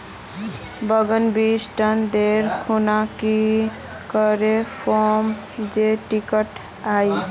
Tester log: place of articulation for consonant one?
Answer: labial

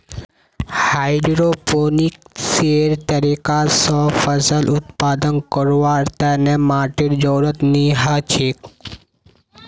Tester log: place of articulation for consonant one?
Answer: glottal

